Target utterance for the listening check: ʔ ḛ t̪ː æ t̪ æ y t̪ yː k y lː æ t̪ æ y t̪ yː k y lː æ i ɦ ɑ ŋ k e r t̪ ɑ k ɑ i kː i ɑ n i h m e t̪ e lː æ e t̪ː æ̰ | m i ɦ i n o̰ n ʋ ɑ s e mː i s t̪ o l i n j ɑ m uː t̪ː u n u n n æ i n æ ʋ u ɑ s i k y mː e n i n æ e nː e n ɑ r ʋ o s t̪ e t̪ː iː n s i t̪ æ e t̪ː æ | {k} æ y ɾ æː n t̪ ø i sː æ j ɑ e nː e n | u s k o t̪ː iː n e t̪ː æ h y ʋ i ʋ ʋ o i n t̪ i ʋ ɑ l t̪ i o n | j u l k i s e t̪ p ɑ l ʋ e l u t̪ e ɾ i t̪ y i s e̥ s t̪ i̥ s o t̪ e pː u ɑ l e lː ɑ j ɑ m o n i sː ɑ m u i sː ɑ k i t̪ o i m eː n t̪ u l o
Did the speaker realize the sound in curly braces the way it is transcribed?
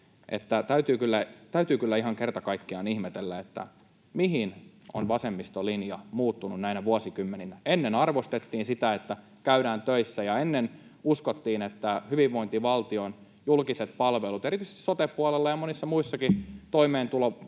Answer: yes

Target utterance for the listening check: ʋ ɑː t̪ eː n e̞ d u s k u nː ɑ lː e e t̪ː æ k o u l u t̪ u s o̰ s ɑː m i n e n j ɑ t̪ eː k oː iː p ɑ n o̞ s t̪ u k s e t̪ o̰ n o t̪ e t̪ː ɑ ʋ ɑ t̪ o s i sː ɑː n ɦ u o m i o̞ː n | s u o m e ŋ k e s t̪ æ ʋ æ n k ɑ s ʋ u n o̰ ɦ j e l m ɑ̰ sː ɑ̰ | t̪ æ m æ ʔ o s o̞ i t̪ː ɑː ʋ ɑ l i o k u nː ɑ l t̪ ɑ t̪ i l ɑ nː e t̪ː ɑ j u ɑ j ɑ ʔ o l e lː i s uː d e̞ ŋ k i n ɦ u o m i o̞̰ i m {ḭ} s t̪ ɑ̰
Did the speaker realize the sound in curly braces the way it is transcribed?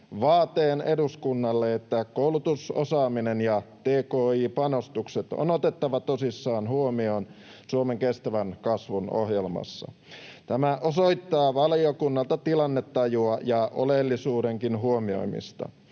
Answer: yes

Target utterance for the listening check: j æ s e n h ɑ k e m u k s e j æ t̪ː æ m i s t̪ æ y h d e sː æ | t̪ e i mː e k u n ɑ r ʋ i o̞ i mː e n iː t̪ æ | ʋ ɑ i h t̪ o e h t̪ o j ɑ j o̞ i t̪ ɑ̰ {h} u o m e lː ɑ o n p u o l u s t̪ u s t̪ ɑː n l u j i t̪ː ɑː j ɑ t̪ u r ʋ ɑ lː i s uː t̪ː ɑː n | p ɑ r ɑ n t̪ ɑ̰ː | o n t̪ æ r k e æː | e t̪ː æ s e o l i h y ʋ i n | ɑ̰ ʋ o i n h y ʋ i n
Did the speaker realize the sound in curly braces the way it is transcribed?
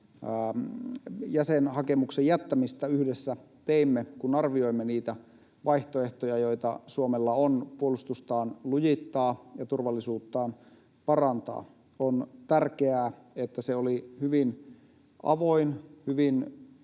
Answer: no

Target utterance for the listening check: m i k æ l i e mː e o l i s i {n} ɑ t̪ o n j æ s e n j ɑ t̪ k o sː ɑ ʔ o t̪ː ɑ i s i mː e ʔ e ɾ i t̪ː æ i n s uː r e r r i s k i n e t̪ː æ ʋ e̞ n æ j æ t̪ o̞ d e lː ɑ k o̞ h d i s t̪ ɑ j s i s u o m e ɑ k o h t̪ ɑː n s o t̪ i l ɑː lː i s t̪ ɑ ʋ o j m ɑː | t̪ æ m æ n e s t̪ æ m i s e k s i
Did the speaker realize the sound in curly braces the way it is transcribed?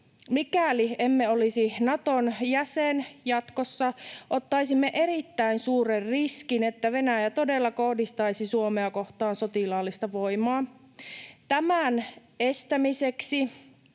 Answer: yes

